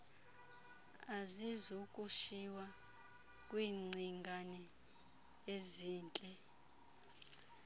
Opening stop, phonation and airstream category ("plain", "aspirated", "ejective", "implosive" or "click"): ejective